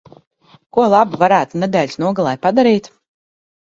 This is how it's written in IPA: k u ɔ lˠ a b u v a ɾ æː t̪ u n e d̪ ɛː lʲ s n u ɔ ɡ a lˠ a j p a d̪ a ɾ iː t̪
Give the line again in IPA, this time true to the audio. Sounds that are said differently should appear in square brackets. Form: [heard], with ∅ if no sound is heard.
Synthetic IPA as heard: k u ɔ lˠ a b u v a ɾ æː t̪ u n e d̪ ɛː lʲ s n u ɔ ɡ a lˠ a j p a d̪ a ɾ iː t̪